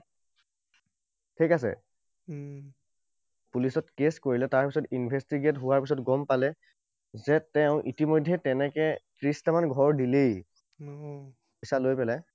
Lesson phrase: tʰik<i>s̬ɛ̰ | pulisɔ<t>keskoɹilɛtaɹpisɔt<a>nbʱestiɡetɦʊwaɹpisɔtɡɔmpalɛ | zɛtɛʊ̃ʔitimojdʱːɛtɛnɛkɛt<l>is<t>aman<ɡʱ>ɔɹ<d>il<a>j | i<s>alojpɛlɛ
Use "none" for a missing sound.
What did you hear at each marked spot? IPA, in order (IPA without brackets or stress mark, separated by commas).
a, t, i, ɹ, t, ɡʱ, d, e, s